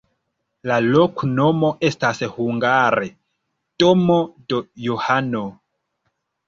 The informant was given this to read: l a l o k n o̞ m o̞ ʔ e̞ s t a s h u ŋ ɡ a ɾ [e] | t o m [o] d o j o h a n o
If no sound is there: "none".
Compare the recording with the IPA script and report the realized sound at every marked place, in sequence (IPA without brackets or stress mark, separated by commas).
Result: e, o